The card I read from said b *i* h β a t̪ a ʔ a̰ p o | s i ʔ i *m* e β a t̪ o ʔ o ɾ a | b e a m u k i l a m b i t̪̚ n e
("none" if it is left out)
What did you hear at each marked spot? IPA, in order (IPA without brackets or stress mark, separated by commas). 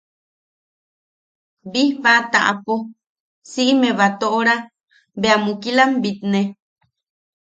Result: i, m